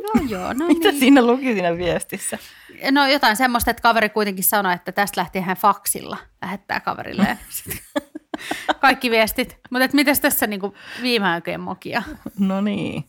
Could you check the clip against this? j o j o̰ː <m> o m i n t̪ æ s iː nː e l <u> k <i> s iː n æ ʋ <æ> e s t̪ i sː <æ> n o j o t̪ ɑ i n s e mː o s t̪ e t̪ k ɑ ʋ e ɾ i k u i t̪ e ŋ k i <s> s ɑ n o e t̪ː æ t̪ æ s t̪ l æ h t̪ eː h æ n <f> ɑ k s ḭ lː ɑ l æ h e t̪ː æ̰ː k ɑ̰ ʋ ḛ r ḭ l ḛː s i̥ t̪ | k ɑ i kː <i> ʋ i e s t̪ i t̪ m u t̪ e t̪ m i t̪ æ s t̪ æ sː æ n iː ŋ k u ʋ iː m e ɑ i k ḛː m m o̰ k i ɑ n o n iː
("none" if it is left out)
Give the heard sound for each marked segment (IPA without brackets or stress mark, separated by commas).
n, u, i, i, æ, s, f, i